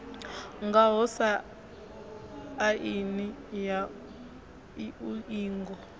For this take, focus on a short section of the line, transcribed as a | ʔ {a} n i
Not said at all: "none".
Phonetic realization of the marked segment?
i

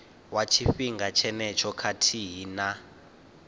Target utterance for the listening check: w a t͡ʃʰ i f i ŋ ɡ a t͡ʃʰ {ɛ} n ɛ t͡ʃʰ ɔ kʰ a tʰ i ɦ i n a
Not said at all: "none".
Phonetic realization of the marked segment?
ɛ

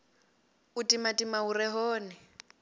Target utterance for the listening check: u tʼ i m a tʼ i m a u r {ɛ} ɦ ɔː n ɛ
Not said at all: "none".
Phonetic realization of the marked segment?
ɛ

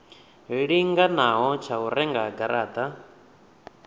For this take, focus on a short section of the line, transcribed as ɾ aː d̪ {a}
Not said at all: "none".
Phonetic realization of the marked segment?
a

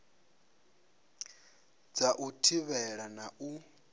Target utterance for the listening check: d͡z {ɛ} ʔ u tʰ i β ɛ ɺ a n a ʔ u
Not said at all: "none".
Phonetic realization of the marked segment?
a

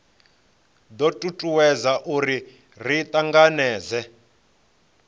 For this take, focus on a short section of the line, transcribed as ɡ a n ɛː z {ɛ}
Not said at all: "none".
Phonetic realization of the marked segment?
ɛ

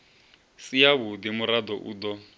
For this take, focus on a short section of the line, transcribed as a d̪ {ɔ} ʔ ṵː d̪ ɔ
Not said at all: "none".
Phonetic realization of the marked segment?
ɔ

